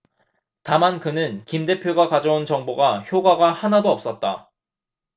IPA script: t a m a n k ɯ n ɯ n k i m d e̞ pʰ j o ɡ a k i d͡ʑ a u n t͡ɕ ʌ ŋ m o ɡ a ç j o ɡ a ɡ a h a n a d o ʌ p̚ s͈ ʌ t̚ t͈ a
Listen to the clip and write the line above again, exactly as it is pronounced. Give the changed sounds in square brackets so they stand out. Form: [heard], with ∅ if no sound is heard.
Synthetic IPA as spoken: t a m a n k ɯ n ɯ n k i m d e̞ pʰ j o ɡ a k [a] d͡ʑ [ʌ] u n t͡ɕ ʌ ŋ [b] o ɡ a ç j o ɡ a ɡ a h a n a d o ʌ p̚ s͈ ʌ t̚ t͈ a